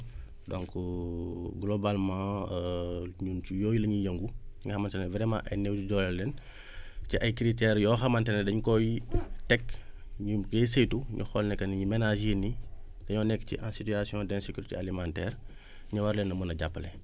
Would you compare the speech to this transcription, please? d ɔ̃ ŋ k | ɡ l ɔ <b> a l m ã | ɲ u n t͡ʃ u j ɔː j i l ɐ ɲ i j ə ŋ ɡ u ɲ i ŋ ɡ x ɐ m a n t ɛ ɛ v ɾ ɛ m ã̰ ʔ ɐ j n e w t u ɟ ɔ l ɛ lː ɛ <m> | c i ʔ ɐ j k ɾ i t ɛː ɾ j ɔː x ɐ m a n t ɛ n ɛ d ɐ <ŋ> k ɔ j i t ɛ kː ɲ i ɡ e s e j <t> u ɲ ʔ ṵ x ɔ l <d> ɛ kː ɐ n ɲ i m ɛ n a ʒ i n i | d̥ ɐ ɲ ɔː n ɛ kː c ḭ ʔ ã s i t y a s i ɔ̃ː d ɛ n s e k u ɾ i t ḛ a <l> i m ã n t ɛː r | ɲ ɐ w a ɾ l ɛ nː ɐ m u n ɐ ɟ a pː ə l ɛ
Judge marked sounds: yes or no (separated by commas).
yes, no, no, yes, no, yes